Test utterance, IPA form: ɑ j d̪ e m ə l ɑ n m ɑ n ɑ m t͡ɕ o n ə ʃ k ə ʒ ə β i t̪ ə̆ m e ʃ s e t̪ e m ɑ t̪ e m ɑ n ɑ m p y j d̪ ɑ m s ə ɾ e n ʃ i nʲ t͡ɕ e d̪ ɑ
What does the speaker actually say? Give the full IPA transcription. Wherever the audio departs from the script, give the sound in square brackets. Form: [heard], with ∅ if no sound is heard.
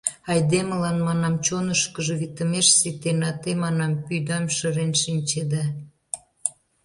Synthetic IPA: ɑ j d̪ e m ə l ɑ n m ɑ n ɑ m t͡ɕ o n ə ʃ k ə ʒ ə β i t̪ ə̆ m e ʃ s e t̪ e [n] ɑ t̪ e m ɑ n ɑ m p y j d̪ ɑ m [ʃ] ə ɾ e n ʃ i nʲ t͡ɕ e d̪ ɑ